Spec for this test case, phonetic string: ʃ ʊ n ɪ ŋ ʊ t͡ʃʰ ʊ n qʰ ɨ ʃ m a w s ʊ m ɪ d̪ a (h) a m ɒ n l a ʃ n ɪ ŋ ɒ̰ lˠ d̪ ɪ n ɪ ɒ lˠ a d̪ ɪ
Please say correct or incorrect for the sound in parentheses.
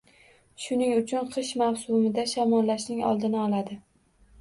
incorrect: ʃ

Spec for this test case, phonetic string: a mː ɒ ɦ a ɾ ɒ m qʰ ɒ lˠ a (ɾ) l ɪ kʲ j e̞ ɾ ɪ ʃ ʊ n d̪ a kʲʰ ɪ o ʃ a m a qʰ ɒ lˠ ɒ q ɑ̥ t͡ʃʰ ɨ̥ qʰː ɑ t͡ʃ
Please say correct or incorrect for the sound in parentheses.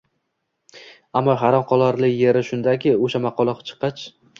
correct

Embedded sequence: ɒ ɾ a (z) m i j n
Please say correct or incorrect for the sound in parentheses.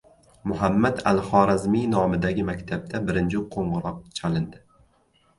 correct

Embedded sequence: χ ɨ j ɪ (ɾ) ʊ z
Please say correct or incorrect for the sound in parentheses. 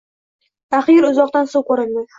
correct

